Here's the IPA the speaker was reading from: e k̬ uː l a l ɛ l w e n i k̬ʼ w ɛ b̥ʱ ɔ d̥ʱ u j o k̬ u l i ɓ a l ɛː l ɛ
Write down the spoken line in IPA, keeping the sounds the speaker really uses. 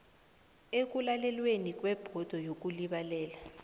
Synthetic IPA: e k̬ u l a l ɛ l w e n i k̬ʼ w ɛ b̥ʱ ɔ d̥ʱ ɔ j o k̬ u l i ɓ a l ɛː l a